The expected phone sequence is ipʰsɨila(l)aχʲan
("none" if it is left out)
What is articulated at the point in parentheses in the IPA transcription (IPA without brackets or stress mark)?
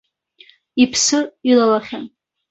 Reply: l